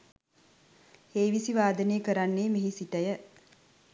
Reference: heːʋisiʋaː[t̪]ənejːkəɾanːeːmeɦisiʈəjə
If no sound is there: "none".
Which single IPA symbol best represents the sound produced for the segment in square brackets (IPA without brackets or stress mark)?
d̪